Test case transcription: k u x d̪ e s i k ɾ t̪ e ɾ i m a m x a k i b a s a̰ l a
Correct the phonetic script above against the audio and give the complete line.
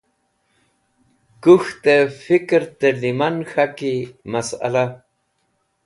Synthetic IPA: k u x t̪ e f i k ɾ t̪ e l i m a n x a k i m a s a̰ l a